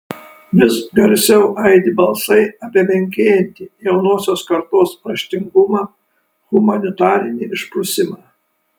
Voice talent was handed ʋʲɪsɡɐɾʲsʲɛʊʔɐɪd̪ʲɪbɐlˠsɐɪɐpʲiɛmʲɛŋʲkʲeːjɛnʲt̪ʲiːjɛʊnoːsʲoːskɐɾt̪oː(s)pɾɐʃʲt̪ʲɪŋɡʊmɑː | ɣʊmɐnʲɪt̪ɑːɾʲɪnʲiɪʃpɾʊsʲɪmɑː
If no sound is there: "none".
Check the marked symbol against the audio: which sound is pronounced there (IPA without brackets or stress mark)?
s